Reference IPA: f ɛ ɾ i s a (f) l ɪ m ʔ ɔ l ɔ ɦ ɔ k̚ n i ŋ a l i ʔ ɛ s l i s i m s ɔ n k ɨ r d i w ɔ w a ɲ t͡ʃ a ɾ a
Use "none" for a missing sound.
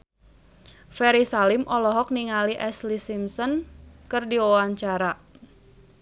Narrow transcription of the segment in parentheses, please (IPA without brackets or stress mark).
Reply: none